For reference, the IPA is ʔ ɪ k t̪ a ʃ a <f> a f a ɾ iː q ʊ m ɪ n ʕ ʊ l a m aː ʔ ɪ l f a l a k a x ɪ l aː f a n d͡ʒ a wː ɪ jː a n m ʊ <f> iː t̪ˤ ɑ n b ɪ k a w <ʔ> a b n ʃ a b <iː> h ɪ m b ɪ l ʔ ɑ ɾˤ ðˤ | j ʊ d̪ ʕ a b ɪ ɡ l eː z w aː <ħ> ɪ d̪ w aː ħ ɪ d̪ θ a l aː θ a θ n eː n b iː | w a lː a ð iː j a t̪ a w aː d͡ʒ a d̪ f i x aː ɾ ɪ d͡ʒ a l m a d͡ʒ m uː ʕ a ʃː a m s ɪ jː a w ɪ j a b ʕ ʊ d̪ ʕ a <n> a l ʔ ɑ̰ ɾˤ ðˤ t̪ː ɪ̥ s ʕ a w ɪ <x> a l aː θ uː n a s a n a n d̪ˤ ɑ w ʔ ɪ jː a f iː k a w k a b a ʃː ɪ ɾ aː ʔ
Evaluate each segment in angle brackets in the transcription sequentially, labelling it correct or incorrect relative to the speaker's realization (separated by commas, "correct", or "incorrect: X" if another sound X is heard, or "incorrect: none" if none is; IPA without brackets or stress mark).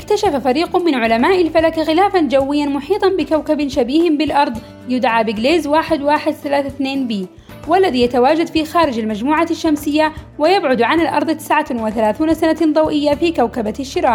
correct, incorrect: ħ, incorrect: k, correct, correct, correct, incorrect: θ